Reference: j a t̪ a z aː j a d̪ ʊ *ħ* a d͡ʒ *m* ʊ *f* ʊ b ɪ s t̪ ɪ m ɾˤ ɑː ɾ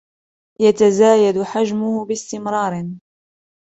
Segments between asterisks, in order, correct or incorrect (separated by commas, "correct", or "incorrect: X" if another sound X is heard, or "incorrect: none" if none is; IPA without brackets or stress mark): correct, correct, incorrect: h